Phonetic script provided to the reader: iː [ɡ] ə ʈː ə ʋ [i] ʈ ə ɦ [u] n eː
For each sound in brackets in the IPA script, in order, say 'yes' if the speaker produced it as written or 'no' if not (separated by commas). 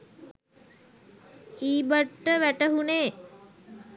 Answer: no, no, yes